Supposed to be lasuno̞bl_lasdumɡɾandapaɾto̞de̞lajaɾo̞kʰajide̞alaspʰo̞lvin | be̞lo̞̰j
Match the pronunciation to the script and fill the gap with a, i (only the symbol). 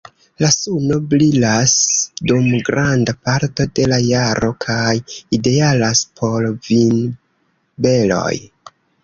i